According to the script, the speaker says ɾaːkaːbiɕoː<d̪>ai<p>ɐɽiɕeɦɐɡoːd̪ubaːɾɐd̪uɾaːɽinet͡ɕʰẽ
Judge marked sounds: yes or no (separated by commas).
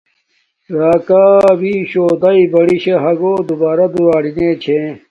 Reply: yes, no